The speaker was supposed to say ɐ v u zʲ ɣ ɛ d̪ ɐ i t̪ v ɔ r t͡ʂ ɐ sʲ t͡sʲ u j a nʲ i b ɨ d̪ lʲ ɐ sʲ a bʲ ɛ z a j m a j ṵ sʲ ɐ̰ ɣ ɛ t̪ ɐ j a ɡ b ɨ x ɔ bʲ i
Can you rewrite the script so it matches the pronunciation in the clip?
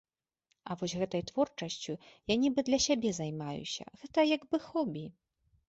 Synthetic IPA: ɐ v ɔ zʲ ɣ ɛ t̪ ɐ j t̪ v ɔ r t͡ʂ ɐ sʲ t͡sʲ u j a nʲ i b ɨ d̪ lʲ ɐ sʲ a bʲ ɛ z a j m a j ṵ sʲ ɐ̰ ɣ ɛ t̪ ɐ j a ɡ b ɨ x ɔ bʲ i